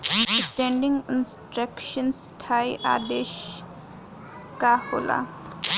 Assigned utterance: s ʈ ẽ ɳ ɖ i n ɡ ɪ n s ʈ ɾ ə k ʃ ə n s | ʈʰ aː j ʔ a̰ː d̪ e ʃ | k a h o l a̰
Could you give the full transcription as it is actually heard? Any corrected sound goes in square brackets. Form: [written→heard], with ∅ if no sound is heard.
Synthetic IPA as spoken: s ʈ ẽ ɳ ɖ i [n→ŋ] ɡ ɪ n s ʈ ɾ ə k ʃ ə n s | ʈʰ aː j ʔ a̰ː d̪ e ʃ | k a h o l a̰